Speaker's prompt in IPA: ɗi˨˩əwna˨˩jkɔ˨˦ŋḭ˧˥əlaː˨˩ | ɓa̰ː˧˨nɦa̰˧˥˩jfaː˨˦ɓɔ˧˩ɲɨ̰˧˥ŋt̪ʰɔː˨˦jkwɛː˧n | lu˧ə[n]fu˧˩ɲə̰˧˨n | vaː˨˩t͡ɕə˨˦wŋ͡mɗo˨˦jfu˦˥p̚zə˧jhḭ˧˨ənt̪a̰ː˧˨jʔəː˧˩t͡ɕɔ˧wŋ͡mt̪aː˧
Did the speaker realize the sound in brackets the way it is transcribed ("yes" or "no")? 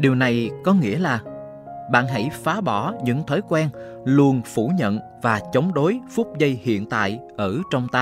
yes